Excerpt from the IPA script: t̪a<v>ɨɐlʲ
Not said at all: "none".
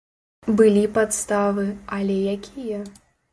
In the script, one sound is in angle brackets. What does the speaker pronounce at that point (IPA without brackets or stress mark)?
v